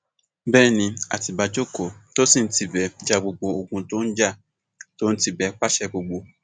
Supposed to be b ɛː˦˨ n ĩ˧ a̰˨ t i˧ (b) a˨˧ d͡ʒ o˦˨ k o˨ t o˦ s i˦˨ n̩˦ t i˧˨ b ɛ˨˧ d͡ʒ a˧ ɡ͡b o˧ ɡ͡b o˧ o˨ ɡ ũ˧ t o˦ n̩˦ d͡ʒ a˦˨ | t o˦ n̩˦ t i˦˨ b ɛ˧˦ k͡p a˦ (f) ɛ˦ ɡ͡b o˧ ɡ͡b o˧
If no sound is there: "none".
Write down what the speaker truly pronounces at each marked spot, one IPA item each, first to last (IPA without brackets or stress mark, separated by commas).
b, ʃ